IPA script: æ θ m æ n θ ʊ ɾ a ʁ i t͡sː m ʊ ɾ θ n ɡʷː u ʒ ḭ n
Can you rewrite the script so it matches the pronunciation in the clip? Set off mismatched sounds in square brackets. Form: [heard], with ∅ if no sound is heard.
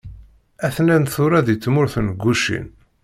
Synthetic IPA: æ θ [n] æ n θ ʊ ɾ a [ð] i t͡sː m ʊ ɾ θ n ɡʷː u [ʃ] ḭ n